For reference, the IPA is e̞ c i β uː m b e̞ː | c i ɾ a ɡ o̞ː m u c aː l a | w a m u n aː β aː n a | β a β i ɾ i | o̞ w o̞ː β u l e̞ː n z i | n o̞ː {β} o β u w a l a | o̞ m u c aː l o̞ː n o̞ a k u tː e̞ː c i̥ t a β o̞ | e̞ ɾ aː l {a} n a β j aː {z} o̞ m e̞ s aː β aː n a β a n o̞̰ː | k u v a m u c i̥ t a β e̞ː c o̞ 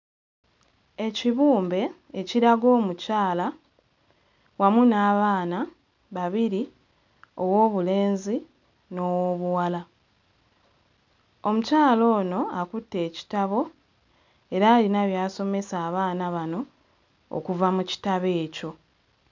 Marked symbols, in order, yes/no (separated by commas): no, no, no